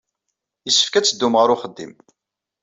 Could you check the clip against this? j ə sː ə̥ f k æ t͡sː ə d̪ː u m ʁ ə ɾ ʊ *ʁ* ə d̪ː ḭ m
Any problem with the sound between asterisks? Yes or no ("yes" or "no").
yes